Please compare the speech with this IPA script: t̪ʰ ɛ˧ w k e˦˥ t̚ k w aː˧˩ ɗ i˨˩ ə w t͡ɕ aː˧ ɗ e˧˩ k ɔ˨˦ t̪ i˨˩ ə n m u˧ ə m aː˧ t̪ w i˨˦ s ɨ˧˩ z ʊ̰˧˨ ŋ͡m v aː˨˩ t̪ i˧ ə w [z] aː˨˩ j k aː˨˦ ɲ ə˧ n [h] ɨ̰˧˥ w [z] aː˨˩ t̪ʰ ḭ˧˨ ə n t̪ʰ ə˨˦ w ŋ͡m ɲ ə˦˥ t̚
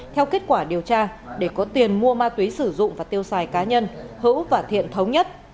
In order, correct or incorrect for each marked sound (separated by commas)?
incorrect, correct, incorrect